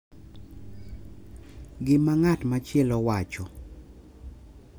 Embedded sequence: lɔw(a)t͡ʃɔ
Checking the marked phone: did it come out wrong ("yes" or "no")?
no